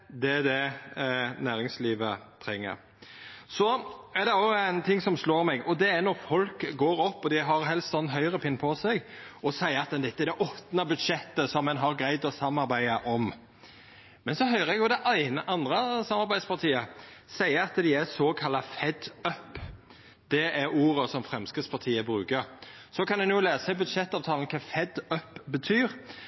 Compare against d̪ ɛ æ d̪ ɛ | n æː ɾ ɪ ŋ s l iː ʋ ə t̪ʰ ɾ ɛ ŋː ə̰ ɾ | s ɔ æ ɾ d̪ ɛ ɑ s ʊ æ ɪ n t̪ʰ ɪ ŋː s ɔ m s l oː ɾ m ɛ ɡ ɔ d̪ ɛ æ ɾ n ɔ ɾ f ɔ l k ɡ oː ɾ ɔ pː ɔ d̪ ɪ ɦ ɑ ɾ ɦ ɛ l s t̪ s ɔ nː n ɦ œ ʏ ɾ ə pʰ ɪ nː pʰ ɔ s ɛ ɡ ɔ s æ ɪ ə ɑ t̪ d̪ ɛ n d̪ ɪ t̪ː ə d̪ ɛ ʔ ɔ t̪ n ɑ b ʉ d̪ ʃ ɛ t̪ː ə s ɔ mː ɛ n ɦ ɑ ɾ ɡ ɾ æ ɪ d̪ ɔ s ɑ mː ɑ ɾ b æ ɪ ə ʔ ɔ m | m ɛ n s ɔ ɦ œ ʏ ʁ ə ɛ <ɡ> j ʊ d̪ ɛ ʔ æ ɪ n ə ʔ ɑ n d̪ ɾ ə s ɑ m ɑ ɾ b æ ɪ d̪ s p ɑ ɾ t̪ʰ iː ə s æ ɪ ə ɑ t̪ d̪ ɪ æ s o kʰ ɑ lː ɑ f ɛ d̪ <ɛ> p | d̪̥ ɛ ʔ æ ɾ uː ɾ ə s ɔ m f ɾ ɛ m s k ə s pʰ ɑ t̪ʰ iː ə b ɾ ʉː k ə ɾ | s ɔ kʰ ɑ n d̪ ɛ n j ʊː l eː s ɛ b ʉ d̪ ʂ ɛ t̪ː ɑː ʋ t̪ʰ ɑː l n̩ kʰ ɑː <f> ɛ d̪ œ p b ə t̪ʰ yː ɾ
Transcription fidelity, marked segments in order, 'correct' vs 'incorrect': correct, incorrect: œ, correct

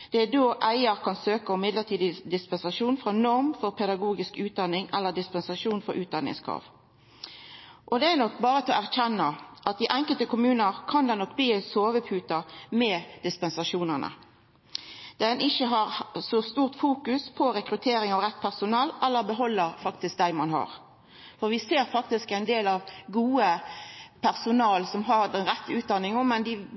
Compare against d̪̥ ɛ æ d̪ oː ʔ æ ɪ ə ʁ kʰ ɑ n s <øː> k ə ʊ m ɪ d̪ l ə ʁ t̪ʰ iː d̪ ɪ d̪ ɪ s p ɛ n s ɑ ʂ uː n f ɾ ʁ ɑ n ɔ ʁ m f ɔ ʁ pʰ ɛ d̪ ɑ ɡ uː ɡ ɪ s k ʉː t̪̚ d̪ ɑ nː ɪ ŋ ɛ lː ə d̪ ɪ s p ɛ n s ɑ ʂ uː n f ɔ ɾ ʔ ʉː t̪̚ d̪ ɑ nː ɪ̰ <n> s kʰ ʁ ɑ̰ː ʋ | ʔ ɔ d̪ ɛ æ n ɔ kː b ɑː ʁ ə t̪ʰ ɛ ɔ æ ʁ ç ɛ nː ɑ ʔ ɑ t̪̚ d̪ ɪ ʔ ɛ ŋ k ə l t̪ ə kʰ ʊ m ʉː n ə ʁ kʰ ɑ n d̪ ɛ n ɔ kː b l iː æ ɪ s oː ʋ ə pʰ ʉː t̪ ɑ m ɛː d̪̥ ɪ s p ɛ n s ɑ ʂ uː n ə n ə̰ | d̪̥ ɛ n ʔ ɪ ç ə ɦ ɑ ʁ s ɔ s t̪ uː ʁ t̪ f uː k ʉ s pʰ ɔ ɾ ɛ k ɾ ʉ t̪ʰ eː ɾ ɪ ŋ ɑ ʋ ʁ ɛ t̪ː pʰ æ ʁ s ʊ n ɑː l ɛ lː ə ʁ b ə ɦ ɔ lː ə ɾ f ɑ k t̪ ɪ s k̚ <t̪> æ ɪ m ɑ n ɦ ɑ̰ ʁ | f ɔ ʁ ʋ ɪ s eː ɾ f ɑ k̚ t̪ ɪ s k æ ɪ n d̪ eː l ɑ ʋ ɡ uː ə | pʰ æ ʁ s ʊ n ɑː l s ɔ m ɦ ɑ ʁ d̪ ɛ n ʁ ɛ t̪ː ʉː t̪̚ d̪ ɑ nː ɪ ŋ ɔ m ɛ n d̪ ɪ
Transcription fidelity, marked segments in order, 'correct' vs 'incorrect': correct, incorrect: ŋ, incorrect: d̪

